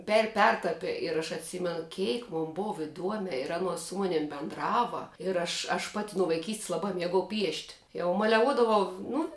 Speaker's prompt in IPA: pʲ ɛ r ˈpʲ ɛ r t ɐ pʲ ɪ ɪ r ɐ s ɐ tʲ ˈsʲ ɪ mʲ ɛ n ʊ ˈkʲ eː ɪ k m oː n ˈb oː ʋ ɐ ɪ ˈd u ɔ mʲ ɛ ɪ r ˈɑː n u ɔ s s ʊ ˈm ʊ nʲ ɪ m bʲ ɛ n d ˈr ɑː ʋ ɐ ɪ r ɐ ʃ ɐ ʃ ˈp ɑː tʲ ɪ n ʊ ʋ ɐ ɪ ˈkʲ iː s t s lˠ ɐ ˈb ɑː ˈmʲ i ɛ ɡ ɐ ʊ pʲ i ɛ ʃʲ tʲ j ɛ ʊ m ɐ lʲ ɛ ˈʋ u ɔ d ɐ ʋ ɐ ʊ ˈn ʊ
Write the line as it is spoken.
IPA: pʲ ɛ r ˈpʲ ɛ r t ɐ pʲ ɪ ɪ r ɐ ʃ ɐ tʲ ˈsʲ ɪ mʲ ɛ n ʊ ˈkʲ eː ɪ k m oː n ˈb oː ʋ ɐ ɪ ˈd u ɔ mʲ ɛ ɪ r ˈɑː n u ɔ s s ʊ ˈm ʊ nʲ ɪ m bʲ ɛ n d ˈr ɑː ʋ ɐ ɪ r ɐ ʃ ɐ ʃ ˈp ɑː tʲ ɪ n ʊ ʋ ɐ ɪ ˈkʲ iː s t s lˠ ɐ ˈb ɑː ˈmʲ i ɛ ɡ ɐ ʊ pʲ i ɛ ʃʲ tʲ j ɛ ʊ m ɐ lʲ ɛ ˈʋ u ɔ d ɐ ʋ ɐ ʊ ˈn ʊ